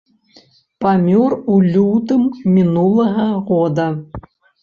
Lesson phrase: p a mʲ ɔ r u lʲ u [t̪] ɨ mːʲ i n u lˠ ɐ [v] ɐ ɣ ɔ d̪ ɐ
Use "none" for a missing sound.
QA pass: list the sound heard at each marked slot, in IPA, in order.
t̪, ɣ

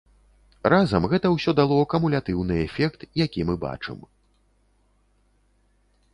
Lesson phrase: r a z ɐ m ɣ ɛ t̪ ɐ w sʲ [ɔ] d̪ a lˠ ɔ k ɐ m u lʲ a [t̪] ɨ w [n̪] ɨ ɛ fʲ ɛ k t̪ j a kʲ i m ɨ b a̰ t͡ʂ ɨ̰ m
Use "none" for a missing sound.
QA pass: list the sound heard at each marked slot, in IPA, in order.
ɔ, t̪, n̪

